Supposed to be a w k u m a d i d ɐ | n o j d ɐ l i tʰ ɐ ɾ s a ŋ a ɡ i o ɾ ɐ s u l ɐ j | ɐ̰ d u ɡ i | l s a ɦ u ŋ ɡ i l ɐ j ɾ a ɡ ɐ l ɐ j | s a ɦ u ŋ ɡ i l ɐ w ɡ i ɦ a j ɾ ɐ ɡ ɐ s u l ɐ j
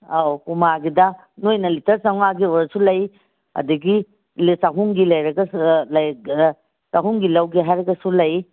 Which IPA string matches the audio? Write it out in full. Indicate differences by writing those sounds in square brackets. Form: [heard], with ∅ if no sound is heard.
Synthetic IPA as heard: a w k u m a [ɡ] i d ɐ | n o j [n] ɐ l i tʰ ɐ ɾ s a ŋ a ɡ i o ɾ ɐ s u l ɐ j | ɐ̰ d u ɡ i | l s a ɦ u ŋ ɡ i l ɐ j ɾ [ɐ] ɡ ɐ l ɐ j | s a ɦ u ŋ ɡ i l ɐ w ɡ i ɦ a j ɾ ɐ ɡ ɐ s u l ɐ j